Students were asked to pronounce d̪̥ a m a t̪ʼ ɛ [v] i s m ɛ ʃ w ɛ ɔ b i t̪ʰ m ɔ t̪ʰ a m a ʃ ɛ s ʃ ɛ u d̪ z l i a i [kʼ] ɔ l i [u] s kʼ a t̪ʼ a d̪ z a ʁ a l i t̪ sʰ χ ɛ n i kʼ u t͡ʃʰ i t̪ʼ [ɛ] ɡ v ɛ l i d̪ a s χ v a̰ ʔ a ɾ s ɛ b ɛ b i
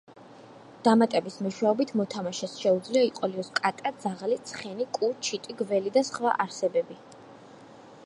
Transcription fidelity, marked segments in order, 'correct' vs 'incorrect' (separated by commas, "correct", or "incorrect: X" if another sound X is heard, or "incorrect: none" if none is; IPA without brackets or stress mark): incorrect: b, incorrect: qʼ, incorrect: ɔ, incorrect: i